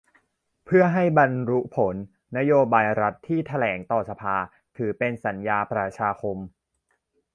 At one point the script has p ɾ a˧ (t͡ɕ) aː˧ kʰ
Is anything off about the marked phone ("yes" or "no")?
yes